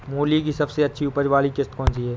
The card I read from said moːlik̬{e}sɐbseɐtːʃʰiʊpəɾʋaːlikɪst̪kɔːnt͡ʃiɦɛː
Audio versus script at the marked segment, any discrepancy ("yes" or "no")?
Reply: yes